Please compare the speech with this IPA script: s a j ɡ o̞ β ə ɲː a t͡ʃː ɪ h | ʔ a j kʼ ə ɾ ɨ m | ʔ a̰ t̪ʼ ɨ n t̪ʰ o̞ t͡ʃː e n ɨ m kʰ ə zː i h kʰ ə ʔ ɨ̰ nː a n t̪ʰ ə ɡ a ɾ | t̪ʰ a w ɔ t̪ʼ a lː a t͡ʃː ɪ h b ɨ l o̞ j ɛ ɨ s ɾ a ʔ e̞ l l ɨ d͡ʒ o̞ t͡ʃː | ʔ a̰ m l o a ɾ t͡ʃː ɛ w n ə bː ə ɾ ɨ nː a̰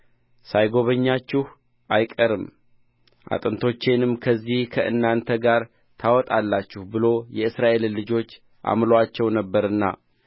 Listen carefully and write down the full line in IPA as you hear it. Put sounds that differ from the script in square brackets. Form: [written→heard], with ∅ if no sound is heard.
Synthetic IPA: s a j ɡ o̞ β ə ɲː a t͡ʃː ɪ h | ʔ a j kʼ ə ɾ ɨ m | ʔ a̰ t̪ʼ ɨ n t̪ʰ o̞ t͡ʃː e n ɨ m kʰ ə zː i h kʰ ə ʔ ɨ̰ nː a n t̪ʰ ə ɡ a ɾ | t̪ʰ a w ɔ t̪ʼ a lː a t͡ʃː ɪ h b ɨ l o̞ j ɛ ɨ s ɾ a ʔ e̞ l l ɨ d͡ʒ o̞ t͡ʃː | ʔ a̰ m l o a [ɾ→∅] t͡ʃː ɛ w n ə bː ə ɾ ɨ nː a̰